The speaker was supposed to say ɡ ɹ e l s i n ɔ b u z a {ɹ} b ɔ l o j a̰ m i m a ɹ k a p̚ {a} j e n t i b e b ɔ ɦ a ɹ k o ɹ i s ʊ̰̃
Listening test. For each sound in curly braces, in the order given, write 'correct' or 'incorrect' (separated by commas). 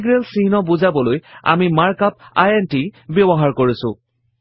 incorrect, correct